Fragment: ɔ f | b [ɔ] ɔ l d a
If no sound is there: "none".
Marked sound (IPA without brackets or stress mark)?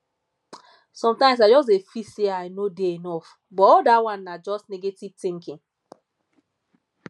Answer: ɔ